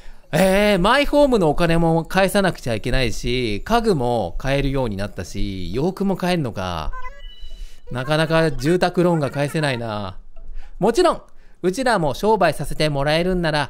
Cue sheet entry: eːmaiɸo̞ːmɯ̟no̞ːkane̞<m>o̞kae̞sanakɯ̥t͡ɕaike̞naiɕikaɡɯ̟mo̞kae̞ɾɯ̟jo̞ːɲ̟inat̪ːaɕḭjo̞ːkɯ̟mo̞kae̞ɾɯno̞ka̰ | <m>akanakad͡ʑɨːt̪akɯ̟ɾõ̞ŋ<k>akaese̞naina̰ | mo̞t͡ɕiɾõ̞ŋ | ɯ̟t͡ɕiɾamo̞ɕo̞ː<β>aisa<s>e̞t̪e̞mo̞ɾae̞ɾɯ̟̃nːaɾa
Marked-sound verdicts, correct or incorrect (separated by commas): correct, incorrect, incorrect, incorrect, correct